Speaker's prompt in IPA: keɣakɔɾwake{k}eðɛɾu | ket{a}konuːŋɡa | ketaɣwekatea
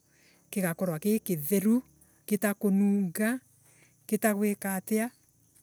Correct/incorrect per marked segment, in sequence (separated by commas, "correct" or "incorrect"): correct, correct